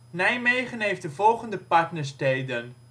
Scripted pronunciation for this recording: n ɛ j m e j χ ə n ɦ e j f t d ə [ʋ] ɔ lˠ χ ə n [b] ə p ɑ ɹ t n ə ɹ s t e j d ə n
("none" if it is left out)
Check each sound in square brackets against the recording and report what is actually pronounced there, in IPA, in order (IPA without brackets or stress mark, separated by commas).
v, d